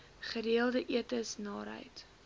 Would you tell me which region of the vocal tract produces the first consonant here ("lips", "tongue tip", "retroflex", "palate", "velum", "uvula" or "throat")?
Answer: uvula